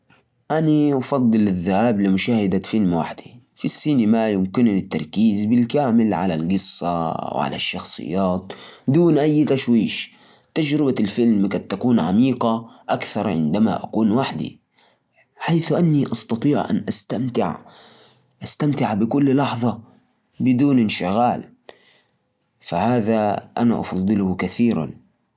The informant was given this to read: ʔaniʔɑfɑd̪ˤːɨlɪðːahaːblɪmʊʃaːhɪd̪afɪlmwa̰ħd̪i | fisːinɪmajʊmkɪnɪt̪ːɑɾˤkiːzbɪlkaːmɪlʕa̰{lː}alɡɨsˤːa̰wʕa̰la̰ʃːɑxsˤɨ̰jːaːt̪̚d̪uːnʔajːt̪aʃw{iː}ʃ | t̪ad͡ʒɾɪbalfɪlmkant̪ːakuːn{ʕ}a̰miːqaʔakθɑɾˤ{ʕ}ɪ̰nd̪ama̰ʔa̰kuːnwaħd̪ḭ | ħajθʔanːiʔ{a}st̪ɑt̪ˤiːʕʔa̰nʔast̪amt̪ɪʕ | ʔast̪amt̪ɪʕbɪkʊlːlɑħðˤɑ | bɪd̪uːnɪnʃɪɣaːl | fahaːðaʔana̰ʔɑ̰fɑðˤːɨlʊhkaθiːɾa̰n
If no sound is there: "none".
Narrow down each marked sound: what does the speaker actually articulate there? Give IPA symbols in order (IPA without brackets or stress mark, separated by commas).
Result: l, iː, ʕ, ʕ, ɑ